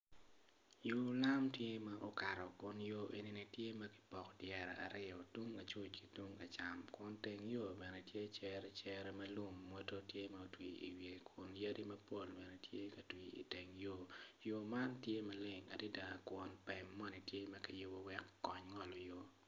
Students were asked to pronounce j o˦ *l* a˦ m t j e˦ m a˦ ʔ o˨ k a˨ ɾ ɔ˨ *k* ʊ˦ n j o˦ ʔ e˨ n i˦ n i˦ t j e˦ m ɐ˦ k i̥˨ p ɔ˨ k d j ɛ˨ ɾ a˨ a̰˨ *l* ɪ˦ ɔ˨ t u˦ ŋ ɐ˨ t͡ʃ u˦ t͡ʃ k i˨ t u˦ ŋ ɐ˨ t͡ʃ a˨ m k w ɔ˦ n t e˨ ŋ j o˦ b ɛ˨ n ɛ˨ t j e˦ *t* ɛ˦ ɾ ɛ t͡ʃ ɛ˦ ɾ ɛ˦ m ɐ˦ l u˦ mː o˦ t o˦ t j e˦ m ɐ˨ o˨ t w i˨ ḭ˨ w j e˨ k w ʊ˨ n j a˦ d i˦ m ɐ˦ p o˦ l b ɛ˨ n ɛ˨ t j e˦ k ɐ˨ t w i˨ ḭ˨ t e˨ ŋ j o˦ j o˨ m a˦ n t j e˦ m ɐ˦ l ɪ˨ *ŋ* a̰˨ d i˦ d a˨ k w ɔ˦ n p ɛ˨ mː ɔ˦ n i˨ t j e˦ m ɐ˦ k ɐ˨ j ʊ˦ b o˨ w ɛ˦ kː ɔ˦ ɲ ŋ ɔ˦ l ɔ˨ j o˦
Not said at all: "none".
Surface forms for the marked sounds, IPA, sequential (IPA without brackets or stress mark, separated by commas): l, k, ɾ, t͡ʃ, ŋ